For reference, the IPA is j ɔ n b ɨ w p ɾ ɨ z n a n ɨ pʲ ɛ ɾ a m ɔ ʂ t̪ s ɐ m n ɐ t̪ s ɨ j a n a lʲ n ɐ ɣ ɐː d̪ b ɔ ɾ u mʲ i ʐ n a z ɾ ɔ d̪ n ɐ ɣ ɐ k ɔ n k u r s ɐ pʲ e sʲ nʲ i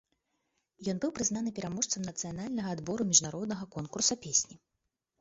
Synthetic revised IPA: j ɔ n b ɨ w p ɾ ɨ z n a n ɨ pʲ ɛ ɾ a m ɔ ʂ t̪ s ɐ m n ɐ t̪ s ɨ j a n a lʲ n ɐ ɣ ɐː d̪ b ɔ ɾ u mʲ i ʐ n a ɾ ɔ d̪ n ɐ ɣ ɐ k ɔ n k u r s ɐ pʲ e sʲ nʲ i